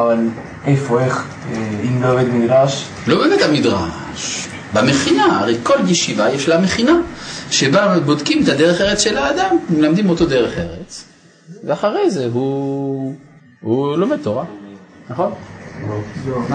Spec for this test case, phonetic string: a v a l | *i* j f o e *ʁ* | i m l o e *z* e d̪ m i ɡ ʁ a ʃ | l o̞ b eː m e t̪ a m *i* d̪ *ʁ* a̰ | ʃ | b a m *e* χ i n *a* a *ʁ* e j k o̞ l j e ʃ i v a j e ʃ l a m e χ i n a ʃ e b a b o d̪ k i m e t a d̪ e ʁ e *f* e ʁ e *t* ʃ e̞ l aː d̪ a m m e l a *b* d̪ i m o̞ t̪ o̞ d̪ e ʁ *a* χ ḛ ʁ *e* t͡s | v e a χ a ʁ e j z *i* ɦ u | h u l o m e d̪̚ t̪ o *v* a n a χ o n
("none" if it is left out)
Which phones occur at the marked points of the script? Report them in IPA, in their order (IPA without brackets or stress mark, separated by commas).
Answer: e, χ, v, i, ʁ, e, a, ʁ, χ, t͡s, m, e, e, e, ʁ